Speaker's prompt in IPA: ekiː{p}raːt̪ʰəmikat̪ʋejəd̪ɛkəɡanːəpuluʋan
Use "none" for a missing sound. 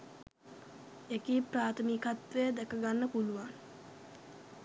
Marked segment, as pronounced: p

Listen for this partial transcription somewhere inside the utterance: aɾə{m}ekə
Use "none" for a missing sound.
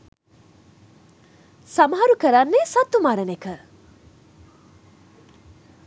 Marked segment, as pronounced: n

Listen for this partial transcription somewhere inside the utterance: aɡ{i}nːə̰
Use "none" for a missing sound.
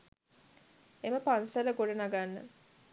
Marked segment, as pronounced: a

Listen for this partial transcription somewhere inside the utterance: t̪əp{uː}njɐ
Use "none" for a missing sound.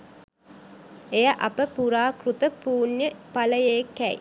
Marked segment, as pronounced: uː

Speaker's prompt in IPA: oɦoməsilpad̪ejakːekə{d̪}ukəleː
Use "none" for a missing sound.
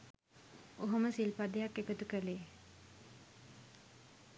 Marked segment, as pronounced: t̪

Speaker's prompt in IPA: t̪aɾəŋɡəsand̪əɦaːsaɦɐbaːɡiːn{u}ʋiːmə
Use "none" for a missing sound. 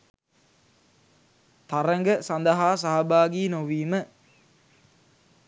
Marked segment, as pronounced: o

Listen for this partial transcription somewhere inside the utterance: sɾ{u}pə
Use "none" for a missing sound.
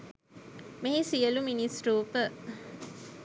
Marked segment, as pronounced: uː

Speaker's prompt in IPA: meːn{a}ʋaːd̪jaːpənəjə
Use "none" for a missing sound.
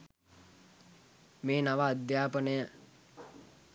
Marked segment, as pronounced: a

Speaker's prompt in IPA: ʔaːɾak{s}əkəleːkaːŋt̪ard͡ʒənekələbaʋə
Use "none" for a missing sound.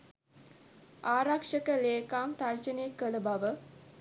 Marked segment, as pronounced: ʂ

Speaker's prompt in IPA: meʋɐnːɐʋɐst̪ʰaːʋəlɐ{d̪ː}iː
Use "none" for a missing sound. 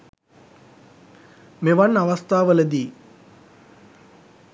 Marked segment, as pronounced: d̪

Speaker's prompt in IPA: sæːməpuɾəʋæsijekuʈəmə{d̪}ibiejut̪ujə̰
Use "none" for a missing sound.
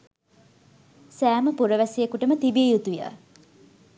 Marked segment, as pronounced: t̪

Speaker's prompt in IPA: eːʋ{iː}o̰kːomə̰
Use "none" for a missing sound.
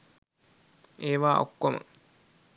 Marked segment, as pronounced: aː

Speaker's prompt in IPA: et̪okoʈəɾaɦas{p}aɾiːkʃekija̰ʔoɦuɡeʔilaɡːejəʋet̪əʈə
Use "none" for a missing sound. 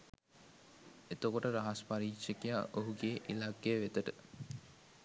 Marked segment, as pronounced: p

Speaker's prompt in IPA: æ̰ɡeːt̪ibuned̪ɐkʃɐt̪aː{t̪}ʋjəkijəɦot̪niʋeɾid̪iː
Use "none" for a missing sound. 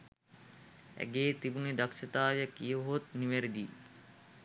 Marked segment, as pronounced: none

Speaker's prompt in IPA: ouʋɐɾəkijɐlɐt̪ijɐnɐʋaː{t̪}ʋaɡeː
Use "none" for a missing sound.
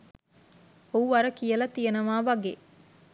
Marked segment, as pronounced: none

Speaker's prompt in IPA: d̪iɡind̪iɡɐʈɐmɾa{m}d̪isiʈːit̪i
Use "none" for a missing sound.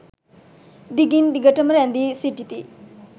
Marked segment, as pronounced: n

